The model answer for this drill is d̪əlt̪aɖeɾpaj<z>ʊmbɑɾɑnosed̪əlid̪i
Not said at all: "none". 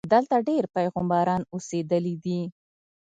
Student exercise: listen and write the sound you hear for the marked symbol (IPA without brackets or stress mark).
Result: ɣ